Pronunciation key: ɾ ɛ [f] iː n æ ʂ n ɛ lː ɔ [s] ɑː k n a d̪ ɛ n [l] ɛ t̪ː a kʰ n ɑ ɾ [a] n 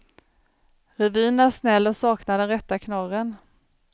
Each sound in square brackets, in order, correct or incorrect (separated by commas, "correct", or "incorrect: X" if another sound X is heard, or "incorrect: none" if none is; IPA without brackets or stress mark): incorrect: v, correct, incorrect: ɾ, incorrect: ə